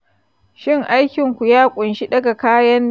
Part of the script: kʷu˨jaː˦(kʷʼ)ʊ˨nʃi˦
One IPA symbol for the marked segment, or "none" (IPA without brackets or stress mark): kʷʼ